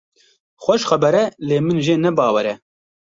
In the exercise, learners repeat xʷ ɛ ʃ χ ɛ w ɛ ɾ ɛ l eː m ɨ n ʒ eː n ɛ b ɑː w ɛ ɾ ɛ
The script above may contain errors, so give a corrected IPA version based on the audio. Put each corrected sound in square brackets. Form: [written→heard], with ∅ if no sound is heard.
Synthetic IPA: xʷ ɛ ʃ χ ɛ [w→b] ɛ ɾ ɛ l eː m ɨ n ʒ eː n ɛ b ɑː w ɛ ɾ ɛ